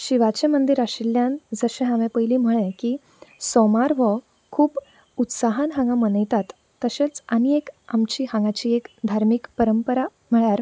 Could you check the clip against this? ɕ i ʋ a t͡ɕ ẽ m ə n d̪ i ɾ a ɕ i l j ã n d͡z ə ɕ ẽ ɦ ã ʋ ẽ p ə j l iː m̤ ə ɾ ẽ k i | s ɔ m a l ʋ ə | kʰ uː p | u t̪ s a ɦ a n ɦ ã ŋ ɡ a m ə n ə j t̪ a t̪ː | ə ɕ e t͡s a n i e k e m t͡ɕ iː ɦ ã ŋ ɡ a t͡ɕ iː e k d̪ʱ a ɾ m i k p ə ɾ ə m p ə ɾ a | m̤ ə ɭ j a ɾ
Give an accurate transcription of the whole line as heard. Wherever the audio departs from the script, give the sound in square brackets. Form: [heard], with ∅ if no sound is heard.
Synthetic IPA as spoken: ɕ i ʋ a t͡ɕ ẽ m ə n d̪ i ɾ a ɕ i l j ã n d͡z ə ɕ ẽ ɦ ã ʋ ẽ p ə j l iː m̤ ə [ɭ] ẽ k i | s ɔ m a [ɾ] ʋ ə | kʰ uː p | u t̪ s a ɦ a n ɦ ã ŋ ɡ a m ə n ə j t̪ a t̪ː | ə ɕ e t͡s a n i e k [a] m t͡ɕ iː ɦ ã ŋ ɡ a t͡ɕ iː e k d̪ʱ a ɾ m i k p ə ɾ ə m p ə ɾ a | m̤ ə ɭ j a ɾ